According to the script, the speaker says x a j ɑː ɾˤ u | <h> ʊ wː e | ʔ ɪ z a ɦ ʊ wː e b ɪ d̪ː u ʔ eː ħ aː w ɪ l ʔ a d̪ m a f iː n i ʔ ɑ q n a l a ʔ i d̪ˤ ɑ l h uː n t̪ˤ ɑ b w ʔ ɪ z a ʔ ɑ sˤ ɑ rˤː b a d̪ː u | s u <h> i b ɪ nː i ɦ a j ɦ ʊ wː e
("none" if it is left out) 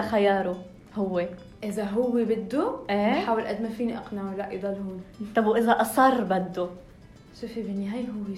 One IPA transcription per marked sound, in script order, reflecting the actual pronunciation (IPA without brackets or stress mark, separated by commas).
h, f